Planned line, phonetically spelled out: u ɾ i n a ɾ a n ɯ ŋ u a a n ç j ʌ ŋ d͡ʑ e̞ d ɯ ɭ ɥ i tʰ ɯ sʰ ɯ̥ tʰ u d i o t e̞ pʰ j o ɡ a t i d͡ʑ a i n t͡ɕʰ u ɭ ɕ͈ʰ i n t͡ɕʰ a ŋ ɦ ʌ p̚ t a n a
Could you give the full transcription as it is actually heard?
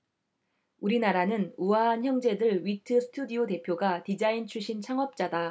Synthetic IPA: u ɾ i n a ɾ a n ɯ n u a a n ç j ʌ ŋ d͡ʑ e̞ d ɯ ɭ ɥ i tʰ ɯ sʰ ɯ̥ tʰ u d i o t e̞ pʰ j o ɡ a t i d͡ʑ a i n t͡ɕʰ u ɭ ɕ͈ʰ i n t͡ɕʰ a ŋ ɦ ʌ p̚ t͡ɕ͈ a d a